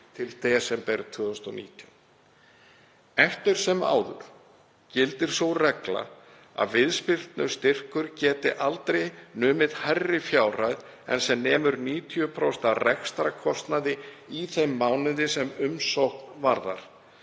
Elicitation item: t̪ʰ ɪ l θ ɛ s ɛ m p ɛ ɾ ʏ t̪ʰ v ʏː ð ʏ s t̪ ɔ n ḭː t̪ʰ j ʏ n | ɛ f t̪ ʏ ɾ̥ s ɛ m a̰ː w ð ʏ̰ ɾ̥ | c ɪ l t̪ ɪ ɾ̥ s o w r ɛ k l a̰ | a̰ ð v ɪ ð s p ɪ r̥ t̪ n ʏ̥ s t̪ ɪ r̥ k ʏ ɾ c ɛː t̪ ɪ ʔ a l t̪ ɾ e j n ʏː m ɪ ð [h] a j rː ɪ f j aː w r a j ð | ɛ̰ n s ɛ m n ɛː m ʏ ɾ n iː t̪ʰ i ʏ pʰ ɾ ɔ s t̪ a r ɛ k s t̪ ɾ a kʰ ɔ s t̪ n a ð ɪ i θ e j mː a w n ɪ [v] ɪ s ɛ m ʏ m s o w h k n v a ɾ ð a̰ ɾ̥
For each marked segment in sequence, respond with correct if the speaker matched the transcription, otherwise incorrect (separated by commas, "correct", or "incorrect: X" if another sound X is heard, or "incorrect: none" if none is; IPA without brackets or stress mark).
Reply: correct, incorrect: ð